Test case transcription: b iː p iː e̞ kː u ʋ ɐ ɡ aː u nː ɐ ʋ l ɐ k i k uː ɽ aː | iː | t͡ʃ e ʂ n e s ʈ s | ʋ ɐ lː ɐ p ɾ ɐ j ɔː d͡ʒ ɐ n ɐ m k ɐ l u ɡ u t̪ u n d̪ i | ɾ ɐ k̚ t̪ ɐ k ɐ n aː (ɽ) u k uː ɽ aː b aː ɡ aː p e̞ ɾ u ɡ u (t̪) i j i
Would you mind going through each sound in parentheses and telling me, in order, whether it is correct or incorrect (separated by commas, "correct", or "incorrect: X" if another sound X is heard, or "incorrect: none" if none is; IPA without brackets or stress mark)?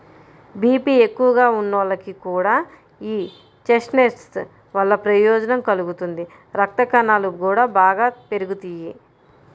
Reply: incorrect: l, correct